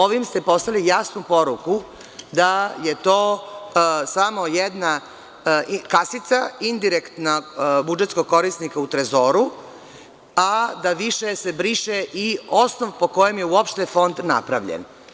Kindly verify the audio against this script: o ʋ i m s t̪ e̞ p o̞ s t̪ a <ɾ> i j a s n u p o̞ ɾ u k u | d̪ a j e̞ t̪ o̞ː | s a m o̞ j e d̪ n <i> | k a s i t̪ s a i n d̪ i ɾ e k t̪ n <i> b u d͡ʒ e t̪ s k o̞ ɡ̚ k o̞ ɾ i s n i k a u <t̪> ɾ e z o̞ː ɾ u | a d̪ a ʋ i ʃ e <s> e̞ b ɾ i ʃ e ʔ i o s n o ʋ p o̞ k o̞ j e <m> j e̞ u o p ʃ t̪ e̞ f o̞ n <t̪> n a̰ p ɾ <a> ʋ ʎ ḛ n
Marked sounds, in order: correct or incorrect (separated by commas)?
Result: incorrect, incorrect, incorrect, correct, correct, correct, incorrect, correct